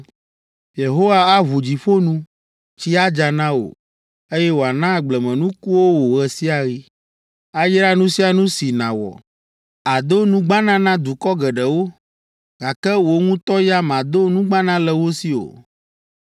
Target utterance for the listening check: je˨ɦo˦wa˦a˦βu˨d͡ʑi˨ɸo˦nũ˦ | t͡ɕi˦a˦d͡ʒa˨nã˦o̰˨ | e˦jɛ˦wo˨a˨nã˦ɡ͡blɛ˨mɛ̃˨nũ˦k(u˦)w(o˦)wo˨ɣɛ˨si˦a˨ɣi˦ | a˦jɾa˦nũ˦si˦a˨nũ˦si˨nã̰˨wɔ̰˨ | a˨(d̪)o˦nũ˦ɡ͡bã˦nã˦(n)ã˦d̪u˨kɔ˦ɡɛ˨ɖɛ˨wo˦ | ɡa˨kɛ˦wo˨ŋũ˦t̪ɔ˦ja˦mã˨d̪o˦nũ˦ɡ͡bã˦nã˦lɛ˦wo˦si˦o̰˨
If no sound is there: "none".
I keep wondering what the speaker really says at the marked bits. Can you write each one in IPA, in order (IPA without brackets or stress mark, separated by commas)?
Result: u˦, o˦, d̪, n